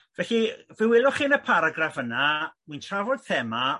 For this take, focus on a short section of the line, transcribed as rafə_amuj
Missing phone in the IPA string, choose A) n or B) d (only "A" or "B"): A